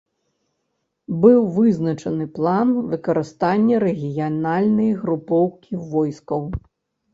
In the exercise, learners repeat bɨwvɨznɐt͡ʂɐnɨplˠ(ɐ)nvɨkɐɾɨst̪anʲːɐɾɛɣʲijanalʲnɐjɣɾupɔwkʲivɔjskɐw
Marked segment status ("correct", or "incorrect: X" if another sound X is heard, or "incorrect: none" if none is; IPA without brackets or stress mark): incorrect: a